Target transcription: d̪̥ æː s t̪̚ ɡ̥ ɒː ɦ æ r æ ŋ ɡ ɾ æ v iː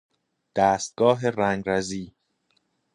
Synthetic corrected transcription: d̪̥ æː s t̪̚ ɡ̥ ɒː ɦ e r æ ŋ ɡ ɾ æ z iː

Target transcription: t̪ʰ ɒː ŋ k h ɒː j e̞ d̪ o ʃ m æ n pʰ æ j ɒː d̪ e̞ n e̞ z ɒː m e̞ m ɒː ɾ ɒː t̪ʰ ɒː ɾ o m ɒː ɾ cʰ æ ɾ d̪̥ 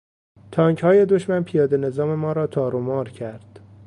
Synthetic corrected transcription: t̪ʰ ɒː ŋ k h ɒː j e̞ d̪ o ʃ m æ n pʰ i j ɒː d̪ e̞ n e̞ z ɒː m e̞ m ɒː ɾ ɒː t̪ʰ ɒː ɾ o m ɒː ɾ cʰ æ ɾ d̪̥

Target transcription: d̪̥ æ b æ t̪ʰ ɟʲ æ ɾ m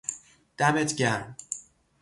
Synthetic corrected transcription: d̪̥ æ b e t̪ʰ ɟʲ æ ɾ m

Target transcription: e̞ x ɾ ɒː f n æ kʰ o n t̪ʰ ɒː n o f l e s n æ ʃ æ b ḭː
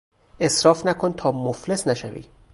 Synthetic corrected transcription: e̞ s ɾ ɒː f n æ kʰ o n t̪ʰ ɒː m o f l e s n æ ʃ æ v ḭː

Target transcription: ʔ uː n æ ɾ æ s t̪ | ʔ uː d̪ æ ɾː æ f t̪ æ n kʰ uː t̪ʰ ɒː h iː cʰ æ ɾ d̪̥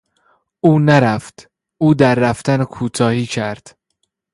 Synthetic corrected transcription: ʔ uː n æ ɾ æ f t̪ | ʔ uː d̪ æ ɾː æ f t̪ æ n kʰ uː t̪ʰ ɒː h iː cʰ æ ɾ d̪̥

